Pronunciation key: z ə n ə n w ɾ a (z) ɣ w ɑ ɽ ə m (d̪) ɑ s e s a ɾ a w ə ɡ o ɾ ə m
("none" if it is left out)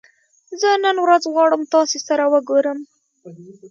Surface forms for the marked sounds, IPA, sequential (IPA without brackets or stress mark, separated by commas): z, t̪